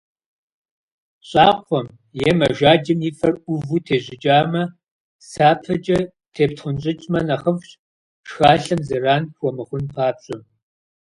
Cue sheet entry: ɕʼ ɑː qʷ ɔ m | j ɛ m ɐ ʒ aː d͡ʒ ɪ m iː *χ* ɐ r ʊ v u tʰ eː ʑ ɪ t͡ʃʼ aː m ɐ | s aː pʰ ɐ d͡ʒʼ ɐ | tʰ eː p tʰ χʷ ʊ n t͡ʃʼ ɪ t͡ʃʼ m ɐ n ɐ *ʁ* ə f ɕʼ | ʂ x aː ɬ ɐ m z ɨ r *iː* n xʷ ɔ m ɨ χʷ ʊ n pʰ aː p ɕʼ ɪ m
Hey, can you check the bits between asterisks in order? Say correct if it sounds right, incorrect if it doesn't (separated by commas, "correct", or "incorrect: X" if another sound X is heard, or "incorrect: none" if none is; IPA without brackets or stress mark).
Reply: incorrect: f, incorrect: χ, incorrect: aː